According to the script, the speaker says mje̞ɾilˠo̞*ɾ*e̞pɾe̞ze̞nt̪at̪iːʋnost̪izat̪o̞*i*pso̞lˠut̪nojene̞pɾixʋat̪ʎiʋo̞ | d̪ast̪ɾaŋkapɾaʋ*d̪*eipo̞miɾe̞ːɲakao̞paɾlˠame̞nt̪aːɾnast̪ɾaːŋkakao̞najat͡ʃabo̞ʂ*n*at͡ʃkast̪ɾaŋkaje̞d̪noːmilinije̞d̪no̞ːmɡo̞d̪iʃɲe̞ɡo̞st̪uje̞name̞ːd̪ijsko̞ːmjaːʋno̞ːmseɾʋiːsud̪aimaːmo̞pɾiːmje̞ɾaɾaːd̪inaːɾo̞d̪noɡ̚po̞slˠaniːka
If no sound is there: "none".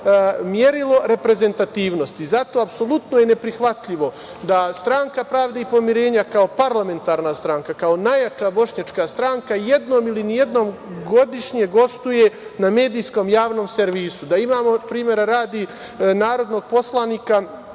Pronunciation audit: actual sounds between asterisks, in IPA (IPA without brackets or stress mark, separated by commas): ɾ, a, d̪, ɲ